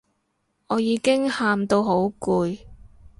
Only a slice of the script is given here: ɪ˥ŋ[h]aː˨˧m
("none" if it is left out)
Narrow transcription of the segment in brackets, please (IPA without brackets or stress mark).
h